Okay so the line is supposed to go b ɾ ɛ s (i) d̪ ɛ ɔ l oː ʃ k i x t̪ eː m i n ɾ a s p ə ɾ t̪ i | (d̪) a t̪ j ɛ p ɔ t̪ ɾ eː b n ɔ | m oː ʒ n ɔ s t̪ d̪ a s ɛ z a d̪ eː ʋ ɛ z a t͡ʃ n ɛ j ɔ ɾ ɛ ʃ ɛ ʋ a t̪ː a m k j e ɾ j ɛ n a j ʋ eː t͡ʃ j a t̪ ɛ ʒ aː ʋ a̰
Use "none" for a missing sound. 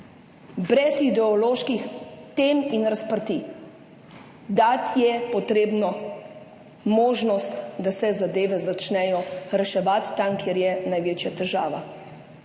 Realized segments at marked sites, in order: i, d̪

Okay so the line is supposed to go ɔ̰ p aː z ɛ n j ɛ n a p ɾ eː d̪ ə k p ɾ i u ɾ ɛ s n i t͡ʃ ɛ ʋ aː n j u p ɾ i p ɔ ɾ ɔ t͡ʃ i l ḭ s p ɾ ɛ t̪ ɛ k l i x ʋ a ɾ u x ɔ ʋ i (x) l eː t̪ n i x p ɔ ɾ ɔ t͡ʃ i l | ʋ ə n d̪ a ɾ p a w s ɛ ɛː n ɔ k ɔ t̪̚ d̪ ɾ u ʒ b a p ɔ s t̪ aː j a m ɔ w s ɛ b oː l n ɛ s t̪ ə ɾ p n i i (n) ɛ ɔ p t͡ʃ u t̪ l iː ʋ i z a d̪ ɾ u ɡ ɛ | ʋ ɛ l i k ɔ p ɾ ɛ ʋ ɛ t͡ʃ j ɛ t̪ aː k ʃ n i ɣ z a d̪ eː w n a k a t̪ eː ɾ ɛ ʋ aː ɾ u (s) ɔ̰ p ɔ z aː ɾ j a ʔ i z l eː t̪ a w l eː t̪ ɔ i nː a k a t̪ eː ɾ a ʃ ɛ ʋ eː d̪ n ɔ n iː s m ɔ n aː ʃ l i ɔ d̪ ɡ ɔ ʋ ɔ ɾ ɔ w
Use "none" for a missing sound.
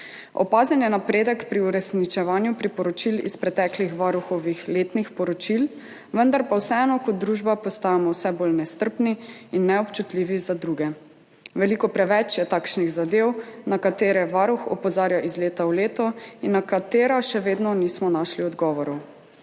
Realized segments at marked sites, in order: x, nː, x

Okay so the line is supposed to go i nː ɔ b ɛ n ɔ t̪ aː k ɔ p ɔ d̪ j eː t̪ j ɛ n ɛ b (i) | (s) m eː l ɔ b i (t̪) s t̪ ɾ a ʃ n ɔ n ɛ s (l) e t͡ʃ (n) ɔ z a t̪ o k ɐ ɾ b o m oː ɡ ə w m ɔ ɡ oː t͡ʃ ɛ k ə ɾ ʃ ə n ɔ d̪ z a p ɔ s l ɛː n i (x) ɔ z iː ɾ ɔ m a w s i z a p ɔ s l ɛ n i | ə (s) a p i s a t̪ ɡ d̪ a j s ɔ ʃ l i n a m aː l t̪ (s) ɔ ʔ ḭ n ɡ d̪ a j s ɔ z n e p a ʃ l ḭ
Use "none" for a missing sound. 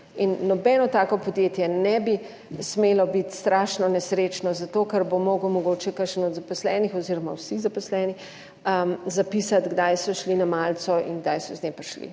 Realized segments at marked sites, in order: i, s, t̪, ɾ, n, x, z, s

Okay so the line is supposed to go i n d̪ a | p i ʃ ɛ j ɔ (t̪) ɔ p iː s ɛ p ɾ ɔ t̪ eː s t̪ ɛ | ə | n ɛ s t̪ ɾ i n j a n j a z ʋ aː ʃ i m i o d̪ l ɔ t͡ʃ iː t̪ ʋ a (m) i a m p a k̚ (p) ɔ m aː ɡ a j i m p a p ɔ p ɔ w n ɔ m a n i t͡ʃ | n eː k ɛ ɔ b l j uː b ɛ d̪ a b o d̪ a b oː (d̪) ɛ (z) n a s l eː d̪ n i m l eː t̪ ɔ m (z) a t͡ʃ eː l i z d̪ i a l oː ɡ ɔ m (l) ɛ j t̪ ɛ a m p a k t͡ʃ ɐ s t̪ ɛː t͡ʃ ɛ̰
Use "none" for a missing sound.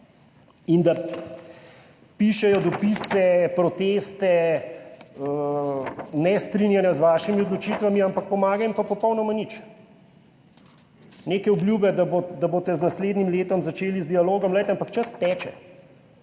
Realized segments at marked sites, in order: d̪, m, p, t̪, z, z, l

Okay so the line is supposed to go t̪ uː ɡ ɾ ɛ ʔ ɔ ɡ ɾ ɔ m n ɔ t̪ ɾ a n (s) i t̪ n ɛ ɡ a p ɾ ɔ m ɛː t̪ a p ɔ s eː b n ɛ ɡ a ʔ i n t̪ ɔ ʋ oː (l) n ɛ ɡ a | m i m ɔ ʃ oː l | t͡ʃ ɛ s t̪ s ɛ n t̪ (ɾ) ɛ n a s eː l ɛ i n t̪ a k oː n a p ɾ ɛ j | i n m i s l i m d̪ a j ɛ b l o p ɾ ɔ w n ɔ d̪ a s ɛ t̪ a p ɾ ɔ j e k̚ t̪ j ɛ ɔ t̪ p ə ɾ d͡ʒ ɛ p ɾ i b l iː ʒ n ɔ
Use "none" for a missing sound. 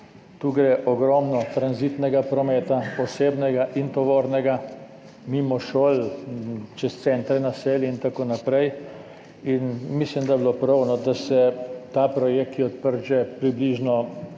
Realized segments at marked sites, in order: z, ɾ, ɾ

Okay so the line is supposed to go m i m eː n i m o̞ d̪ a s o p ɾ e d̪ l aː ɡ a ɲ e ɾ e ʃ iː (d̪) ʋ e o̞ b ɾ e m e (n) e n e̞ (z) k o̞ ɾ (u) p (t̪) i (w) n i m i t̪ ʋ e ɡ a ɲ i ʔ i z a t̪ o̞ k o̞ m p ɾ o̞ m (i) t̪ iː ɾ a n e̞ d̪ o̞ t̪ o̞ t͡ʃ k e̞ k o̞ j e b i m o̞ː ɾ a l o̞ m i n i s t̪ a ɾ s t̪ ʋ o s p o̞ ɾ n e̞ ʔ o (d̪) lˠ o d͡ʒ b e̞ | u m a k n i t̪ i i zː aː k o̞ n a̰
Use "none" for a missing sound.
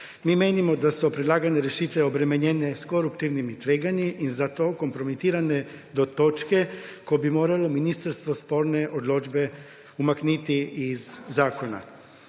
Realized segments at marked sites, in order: t̪, ɲ, s, u, t̪, ʋ, i, d̪

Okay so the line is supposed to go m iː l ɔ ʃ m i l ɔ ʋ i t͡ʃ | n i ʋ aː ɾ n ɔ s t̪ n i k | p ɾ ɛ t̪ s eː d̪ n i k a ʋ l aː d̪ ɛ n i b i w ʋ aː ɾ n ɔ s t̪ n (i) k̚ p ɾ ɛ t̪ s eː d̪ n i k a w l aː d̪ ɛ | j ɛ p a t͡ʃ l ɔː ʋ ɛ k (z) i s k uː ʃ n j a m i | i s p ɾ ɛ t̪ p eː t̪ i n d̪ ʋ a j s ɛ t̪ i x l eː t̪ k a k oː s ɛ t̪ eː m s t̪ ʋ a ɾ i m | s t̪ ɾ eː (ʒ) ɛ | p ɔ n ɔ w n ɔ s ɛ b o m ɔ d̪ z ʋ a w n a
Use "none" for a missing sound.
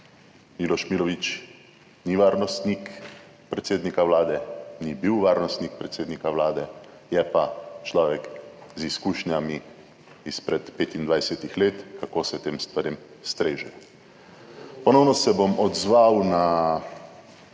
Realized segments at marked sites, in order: i, z, ʒ

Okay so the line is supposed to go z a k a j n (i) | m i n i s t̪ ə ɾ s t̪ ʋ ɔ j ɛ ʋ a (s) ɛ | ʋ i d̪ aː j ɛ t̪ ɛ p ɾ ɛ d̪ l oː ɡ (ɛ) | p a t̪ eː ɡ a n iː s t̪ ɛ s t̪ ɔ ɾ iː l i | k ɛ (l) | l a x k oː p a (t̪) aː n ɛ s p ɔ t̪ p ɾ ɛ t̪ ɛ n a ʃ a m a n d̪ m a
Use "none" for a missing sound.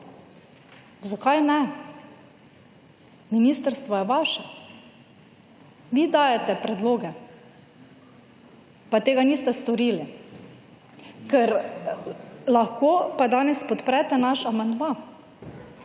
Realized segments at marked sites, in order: ɛ, ʃ, ɛ, ɾ, d̪

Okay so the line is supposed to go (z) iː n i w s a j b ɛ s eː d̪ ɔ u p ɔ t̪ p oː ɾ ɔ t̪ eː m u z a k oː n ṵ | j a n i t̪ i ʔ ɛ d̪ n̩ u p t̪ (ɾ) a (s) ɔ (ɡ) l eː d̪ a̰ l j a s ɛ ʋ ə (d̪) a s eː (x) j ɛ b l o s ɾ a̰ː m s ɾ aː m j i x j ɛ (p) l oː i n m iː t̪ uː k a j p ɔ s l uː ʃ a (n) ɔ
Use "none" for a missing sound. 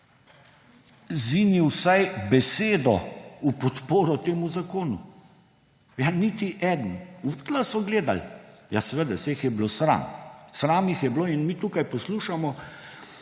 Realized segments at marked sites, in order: z, l, s, ɡ, d̪, x, b, m

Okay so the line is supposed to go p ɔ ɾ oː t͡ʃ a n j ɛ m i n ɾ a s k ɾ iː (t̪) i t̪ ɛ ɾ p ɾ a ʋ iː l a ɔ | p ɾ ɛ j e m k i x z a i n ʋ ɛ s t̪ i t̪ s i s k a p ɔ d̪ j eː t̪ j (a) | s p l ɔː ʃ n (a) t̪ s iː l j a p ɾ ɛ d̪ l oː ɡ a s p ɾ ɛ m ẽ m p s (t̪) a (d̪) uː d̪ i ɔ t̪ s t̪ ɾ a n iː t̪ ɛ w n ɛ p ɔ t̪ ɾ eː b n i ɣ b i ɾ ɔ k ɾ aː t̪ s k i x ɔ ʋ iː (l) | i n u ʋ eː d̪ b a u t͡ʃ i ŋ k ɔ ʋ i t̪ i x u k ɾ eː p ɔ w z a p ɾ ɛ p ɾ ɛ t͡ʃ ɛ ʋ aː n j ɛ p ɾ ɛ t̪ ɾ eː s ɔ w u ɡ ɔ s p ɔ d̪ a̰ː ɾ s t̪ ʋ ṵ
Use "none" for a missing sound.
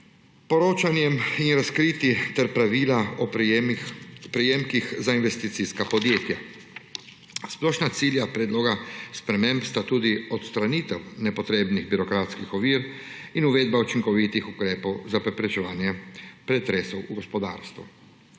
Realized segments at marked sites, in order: t̪, a, a, t̪, t̪, ɾ

